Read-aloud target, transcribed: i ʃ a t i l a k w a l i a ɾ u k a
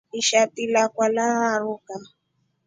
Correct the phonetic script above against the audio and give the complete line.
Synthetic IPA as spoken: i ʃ a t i l a k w a l a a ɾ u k a